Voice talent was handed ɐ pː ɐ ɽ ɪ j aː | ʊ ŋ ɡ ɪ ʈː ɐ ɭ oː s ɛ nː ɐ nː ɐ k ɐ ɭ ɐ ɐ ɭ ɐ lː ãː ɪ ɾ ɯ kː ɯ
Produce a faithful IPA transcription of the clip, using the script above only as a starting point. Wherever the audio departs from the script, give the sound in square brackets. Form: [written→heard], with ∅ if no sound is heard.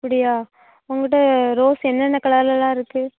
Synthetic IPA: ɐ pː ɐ ɽ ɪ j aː | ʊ ŋ ɡ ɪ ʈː ɐ [ɭ→ɾ] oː s ɛ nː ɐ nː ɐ k ɐ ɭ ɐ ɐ [ɭ→l] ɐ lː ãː ɪ ɾ ɯ kː ɯ